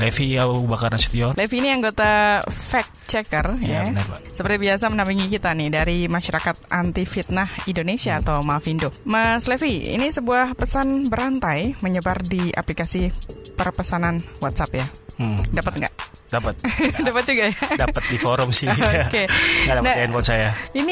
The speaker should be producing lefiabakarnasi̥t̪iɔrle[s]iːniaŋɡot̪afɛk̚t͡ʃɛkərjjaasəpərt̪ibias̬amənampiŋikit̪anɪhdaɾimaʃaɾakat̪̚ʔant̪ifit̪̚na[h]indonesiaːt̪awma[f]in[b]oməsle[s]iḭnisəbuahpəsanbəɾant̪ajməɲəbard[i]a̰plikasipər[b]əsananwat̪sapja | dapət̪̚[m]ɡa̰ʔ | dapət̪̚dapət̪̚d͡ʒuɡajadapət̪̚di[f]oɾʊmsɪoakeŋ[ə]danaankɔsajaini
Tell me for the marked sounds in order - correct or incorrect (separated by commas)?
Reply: incorrect, correct, correct, incorrect, incorrect, correct, incorrect, incorrect, correct, incorrect